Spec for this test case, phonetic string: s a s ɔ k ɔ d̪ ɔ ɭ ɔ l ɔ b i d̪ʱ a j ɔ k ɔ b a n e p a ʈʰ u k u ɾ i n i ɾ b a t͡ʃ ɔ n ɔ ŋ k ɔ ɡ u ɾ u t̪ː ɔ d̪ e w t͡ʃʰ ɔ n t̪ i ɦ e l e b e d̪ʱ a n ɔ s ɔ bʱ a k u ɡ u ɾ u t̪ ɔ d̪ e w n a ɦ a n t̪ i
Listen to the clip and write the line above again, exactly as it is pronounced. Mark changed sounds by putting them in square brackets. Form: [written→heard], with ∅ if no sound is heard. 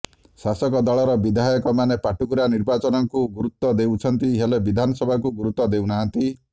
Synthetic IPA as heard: s a s ɔ k ɔ d̪ ɔ ɭ ɔ [l→ɾ] ɔ b i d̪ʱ a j ɔ k ɔ [b→m] a n e p a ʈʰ u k u ɾ [i→a] n i ɾ b a t͡ʃ ɔ n ɔ ŋ k [ɔ→u] ɡ u ɾ u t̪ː ɔ d̪ e w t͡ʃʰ ɔ n t̪ i ɦ e l e b [e→i] d̪ʱ a n ɔ s ɔ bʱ a k u ɡ u ɾ u t̪ ɔ d̪ e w n a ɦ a n t̪ i